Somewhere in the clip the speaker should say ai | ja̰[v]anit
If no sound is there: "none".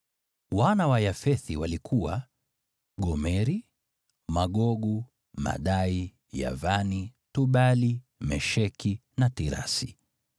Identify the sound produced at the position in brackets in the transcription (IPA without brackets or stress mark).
v